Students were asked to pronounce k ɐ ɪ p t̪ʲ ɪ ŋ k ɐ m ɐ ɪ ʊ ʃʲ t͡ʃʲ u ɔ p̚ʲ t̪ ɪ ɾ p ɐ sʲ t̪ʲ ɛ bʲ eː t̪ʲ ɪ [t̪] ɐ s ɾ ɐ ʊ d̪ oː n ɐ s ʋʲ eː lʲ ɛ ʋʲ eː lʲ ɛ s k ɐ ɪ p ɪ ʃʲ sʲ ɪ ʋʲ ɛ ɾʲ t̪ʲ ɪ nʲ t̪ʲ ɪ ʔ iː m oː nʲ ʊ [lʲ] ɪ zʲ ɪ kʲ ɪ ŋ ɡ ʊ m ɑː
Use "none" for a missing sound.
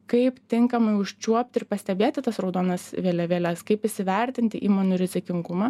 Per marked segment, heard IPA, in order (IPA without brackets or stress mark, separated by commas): t̪, ɾʲ